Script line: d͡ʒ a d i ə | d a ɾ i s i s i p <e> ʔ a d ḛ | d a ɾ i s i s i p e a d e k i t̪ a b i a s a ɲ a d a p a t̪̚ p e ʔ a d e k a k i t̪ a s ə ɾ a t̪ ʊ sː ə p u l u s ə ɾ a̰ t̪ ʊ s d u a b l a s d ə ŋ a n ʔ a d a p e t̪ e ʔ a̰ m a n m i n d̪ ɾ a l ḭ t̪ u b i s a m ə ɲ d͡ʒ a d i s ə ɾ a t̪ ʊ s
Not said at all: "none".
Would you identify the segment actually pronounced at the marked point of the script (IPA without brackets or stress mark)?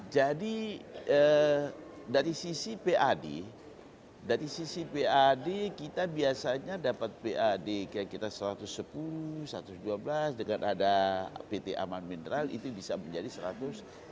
e